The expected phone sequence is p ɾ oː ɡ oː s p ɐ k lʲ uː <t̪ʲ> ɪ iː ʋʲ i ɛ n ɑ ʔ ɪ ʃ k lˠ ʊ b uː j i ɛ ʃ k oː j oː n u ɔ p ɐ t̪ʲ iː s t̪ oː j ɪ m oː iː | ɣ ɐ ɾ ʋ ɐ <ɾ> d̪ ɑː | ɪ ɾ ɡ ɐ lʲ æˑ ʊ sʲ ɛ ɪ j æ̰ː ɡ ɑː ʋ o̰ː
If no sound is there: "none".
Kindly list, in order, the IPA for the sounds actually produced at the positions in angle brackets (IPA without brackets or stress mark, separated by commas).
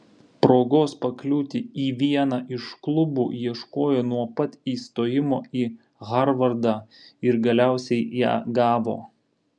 t̪ʲ, ɾ